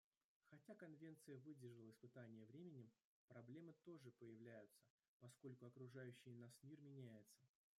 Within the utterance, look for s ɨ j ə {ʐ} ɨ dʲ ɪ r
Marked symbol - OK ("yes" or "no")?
no